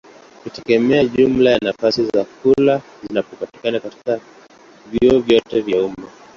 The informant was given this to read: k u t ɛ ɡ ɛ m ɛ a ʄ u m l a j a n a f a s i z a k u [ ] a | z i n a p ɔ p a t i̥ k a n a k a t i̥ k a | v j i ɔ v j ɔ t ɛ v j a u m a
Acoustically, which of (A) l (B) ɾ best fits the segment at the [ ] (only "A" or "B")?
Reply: A